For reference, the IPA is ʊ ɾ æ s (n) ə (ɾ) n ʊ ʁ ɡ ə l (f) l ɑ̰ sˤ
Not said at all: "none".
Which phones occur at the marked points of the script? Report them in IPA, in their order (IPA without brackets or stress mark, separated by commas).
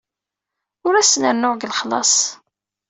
n, ɾ, χ